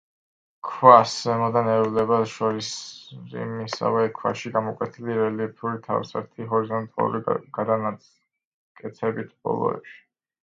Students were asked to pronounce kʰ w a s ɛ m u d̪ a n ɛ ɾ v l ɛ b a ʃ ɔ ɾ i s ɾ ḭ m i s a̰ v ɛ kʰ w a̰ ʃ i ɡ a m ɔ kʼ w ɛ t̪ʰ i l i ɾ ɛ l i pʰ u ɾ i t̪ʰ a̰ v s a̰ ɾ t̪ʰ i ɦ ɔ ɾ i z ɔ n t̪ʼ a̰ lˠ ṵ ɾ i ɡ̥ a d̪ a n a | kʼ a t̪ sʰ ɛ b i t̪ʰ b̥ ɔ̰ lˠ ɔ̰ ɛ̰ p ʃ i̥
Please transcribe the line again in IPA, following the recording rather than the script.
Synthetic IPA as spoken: kʰ w a s ɛ m ɔ d̪ a n ɛ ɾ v l ɛ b a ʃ ɔ ɾ i s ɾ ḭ m i s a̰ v ɛ kʰ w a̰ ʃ i ɡ a m ɔ kʼ w ɛ t̪ʰ i l i ɾ ɛ l i pʰ u ɾ i t̪ʰ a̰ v s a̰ ɾ t̪ʰ i ɦ ɔ ɾ i z ɔ n t̪ʼ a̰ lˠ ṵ ɾ i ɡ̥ a d̪ a n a | kʼ ɛ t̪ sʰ ɛ b i t̪ʰ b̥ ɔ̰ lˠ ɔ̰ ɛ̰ p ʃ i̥